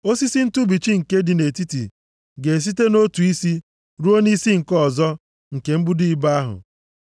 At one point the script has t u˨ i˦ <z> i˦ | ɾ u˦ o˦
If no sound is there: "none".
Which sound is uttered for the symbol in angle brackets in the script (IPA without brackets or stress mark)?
s